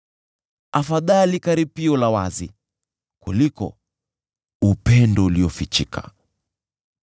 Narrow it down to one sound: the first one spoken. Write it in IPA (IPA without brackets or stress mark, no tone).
a